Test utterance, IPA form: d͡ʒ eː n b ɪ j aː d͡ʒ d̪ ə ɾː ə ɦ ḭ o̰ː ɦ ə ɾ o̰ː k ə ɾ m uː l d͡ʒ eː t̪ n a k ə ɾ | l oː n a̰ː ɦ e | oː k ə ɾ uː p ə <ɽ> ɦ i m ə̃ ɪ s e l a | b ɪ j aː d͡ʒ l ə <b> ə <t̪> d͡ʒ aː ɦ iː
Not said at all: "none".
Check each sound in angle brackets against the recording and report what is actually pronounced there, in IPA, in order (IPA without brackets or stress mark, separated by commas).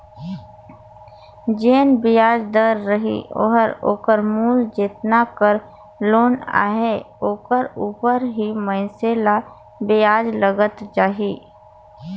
ɾ, ɡ, t̪